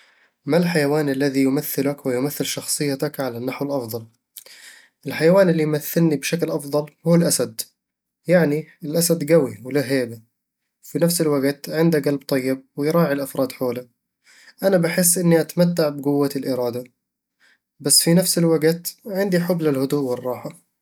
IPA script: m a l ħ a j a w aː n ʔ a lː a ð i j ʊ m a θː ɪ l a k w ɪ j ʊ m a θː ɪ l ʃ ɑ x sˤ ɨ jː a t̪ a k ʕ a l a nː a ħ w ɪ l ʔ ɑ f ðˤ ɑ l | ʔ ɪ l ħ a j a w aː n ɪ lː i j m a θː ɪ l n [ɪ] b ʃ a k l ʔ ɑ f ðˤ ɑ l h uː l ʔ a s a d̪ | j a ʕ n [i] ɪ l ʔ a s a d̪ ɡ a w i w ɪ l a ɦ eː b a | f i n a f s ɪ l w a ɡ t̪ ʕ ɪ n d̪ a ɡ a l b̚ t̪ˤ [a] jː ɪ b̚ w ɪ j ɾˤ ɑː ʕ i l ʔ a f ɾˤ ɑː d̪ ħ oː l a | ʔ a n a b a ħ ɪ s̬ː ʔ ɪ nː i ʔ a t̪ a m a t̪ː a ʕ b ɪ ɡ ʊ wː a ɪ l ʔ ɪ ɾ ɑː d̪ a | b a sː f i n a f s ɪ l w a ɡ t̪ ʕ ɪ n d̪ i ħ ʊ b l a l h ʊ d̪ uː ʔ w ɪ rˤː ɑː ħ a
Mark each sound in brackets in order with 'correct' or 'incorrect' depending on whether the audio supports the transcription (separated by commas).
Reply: incorrect, correct, incorrect